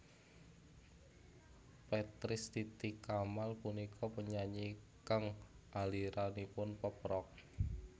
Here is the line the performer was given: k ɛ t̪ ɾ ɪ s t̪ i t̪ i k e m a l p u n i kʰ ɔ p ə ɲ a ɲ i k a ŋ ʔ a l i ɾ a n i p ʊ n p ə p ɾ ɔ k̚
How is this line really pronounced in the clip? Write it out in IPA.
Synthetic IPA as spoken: p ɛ t̪ ɾ ɪ s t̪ i t̪ i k a m a l p u n i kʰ ɔ p ə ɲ a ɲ i k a ŋ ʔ a l i ɾ a n i p ʊ n p ə p ɾ ɔ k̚